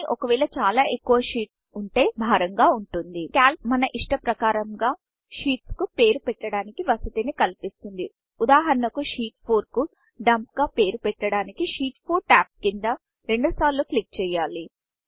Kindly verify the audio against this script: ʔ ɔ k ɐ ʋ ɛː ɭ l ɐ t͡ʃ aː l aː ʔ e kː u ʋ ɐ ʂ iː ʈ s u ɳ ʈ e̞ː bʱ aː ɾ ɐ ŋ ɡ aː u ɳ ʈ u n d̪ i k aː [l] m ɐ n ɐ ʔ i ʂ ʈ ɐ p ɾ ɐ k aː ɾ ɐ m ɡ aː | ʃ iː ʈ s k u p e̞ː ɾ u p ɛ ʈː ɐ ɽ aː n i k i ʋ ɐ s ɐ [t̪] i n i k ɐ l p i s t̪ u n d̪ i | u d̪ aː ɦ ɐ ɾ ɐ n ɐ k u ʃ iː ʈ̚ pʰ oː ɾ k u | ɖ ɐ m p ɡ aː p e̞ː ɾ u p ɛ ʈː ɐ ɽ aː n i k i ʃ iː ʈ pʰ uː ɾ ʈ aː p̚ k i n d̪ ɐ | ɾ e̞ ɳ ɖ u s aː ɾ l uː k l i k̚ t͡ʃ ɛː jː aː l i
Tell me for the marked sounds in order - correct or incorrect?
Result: correct, correct

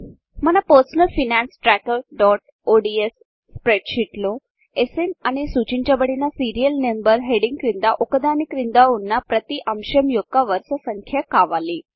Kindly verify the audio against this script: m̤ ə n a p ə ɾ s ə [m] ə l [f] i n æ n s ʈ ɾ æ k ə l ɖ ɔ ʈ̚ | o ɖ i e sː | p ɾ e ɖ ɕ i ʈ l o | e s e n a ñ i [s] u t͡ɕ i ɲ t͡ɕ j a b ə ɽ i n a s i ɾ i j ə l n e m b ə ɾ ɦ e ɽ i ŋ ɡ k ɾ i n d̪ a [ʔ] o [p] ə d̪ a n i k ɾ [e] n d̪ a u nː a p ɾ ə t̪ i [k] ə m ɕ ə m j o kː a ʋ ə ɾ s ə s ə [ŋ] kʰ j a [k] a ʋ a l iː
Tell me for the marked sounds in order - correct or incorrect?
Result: incorrect: n, correct, correct, correct, incorrect: k, incorrect: i, incorrect: ʔ, correct, correct

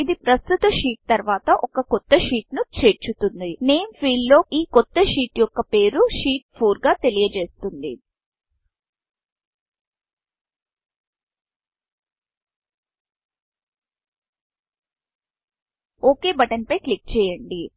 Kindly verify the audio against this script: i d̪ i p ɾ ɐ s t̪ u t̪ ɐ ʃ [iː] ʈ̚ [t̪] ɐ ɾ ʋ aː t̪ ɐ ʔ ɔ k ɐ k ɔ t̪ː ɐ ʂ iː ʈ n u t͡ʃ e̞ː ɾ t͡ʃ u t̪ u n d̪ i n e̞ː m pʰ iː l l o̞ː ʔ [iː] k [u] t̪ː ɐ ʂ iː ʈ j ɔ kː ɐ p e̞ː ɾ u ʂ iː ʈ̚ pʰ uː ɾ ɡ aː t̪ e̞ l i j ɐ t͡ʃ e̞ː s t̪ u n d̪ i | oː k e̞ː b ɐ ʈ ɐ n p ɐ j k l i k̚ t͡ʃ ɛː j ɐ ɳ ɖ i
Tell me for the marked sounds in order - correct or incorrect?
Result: correct, correct, correct, incorrect: ɔ

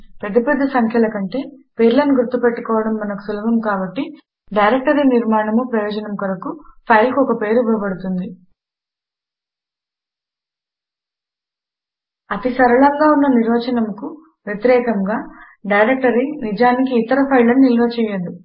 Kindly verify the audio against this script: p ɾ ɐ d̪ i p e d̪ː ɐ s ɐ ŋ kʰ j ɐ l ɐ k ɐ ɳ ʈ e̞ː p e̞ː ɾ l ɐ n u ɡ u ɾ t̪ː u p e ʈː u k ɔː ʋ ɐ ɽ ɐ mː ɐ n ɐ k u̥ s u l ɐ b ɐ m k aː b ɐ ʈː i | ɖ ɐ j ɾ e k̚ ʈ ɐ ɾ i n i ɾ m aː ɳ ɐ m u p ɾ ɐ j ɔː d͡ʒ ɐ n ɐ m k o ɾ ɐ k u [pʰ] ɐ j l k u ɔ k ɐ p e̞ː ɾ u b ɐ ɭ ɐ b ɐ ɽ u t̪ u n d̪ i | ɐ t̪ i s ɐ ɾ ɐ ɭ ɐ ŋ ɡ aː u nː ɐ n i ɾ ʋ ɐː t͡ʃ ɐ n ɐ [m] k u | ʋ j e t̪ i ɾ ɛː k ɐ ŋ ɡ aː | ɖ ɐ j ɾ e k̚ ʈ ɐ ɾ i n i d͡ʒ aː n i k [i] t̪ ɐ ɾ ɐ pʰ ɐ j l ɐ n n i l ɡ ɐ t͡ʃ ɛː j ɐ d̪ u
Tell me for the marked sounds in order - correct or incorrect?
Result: correct, correct, incorrect: iː

